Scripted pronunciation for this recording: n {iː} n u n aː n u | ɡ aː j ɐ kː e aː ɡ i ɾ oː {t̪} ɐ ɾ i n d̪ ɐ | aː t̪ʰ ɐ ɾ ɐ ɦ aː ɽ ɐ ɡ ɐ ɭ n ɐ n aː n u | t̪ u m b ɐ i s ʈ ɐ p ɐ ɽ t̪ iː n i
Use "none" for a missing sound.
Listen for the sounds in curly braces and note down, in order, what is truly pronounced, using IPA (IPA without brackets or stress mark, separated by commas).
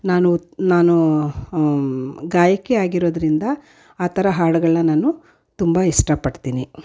aː, d̪